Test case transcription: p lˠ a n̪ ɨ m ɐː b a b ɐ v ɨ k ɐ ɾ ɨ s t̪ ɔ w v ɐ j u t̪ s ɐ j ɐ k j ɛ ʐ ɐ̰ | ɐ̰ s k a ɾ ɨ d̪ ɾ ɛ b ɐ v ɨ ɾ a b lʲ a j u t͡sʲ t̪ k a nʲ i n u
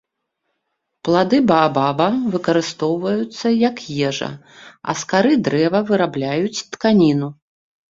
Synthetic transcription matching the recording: p lˠ a d̪ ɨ b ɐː b a b ɐ v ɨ k ɐ ɾ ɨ s t̪ ɔ w v ɐ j u t̪ sː ɐ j ɐ k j ɛ ʐ ɐ̰ | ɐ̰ s k a ɾ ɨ d̪ ɾ ɛ v ɐ v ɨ ɾ a b lʲ a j u t͡sʲ t̪ k a nʲ i n u

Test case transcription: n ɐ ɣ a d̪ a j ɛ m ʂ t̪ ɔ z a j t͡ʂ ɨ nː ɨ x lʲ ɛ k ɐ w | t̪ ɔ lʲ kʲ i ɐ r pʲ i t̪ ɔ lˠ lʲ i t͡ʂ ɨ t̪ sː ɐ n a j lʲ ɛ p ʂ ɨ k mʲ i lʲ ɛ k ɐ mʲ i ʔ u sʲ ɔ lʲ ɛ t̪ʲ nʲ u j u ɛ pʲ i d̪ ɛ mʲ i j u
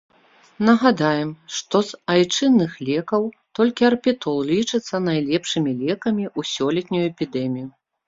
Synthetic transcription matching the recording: n ɐ ɣ a d̪ a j ɛ m ʂ t̪ ɔ z a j t͡ʂ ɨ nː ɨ x lʲ ɛ k ɐ w | t̪ ɔ lʲ kʲ i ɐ r pʲ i t̪ ɔ lˠ lʲ i t͡ʂ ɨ t̪ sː ɐ n a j lʲ ɛ p ʂ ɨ mʲ i lʲ ɛ k ɐ mʲ i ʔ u sʲ ɔ lʲ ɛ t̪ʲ nʲ u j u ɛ pʲ i d̪ ɛ mʲ i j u

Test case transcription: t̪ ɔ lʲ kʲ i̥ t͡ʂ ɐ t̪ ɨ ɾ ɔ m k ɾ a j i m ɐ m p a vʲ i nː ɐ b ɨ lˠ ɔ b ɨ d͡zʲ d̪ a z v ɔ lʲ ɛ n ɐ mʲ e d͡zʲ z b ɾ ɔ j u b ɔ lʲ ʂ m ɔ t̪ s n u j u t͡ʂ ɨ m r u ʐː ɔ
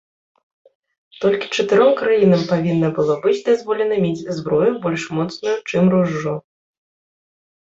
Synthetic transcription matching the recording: t̪ ɔ lʲ kʲ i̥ t͡ʂ ɐ t̪ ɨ ɾ ɔ m k ɾ a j i n ɐ m p a vʲ i nː ɐ b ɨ lˠ ɔ b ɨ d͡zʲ d̪ a z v ɔ lʲ ɛ n ɐ mʲ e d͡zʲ z b ɾ ɔ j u b ɔ lʲ ʂ m ɔ t̪ s n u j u t͡ʂ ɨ m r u ʐː ɔ

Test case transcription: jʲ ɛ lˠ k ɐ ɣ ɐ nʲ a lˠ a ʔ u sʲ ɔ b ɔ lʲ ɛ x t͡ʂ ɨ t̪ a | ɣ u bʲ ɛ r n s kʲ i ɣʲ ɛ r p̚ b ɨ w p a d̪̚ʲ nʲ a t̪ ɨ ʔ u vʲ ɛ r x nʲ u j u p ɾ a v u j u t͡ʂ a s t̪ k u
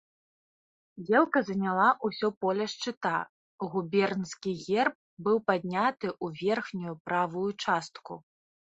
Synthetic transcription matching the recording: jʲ ɛ lˠ k ɐ z ɐ nʲ a lˠ a ʔ u sʲ ɔ p ɔ lʲ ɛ ʂ t͡ʂ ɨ t̪ a | ɣ u bʲ ɛ r n s kʲ i ɣʲ ɛ r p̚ b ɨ w p a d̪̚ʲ nʲ a t̪ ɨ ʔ u vʲ ɛ r x nʲ u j u p ɾ a v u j u t͡ʂ a s t̪ k u

